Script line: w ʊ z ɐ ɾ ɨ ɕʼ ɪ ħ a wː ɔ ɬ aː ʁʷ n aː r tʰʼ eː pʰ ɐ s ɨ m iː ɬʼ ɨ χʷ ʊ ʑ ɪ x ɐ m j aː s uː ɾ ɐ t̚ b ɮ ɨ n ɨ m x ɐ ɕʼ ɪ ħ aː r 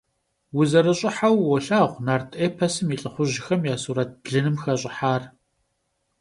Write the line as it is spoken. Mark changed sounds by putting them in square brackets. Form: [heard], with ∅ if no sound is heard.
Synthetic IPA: w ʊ z ɐ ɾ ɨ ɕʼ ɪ ħ a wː ɔ ɬ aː ʁʷ n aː r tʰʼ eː pʰ ɐ s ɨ m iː ɬʼ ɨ χʷ ʊ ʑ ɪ x ɐ m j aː s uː ɾ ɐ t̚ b ɮ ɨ n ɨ m x ɐ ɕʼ ɪ ħ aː r